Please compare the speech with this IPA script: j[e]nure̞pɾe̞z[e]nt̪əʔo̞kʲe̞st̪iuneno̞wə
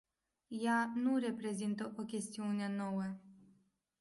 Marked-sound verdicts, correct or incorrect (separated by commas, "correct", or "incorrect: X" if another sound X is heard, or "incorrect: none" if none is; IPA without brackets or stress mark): incorrect: a, incorrect: i